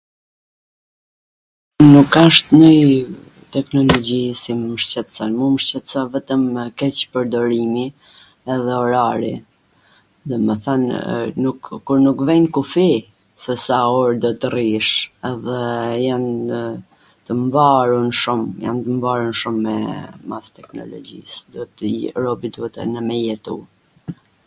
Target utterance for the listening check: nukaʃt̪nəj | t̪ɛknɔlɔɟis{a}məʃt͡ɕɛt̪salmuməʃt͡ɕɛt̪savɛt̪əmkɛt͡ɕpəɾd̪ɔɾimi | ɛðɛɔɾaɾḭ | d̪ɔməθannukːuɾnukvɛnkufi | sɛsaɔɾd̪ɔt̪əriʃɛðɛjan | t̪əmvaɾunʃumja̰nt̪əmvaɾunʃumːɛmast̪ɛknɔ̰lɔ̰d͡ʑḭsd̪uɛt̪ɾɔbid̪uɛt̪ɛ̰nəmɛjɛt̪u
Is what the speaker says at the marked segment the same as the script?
no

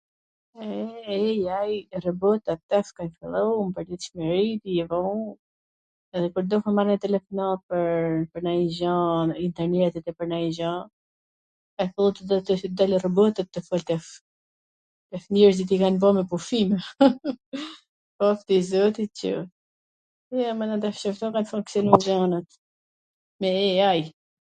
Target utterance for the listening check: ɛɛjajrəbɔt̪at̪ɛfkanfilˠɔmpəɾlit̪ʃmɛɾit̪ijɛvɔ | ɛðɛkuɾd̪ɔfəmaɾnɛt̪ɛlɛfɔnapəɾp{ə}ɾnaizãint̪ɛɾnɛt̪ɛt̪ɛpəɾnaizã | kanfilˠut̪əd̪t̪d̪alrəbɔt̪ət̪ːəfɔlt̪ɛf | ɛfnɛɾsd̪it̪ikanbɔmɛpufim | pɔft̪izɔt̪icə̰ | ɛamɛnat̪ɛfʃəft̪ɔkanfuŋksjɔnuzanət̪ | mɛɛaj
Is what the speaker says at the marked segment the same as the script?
yes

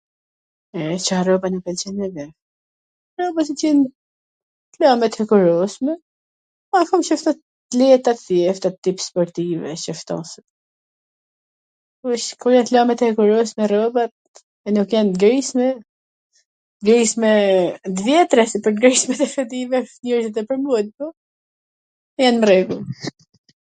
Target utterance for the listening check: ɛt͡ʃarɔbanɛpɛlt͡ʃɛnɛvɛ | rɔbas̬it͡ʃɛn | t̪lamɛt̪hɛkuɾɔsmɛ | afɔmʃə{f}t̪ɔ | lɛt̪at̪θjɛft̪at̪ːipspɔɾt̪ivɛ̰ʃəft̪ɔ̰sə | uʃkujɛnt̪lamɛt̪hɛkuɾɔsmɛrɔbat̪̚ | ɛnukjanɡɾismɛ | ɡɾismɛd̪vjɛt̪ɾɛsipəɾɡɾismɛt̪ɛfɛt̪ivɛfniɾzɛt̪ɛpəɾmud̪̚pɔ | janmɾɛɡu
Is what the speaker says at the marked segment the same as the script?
yes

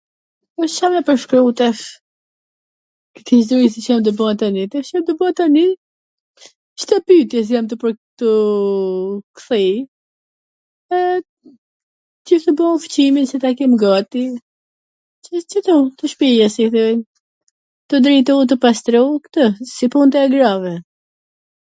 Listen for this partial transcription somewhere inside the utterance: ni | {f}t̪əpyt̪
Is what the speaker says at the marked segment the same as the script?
no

